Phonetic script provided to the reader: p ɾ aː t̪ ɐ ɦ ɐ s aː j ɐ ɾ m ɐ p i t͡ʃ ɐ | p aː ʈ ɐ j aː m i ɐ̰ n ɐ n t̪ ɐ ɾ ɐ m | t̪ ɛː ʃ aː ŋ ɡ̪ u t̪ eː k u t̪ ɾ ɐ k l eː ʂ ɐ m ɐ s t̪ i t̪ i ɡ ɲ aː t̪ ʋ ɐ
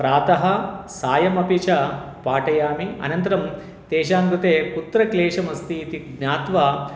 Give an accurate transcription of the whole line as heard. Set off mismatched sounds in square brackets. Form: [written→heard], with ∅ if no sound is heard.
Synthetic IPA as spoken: p ɾ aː t̪ ɐ ɦ ɐ s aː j ɐ [ɾ→∅] m ɐ p i t͡ʃ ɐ | p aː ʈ ɐ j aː m i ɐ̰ n ɐ n t̪ ɐ ɾ ɐ m | t̪ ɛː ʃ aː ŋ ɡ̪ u t̪ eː k u t̪ ɾ ɐ k l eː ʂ ɐ m ɐ s t̪ i t̪ i ɡ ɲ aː t̪ ʋ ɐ